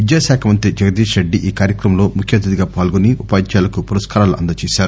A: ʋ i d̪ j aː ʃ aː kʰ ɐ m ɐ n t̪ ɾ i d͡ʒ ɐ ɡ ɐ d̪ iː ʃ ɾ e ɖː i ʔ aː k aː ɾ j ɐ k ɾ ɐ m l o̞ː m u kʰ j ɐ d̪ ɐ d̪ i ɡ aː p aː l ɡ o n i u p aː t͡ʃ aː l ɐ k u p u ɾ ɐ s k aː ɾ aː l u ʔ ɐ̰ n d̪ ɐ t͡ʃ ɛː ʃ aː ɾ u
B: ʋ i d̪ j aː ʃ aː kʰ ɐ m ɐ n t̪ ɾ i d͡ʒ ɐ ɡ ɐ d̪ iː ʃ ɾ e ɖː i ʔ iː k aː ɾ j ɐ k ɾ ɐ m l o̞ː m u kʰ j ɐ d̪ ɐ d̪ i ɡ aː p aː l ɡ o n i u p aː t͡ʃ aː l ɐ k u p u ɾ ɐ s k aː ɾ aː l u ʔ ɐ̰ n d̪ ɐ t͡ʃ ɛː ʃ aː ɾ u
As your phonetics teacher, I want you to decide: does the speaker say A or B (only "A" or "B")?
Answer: B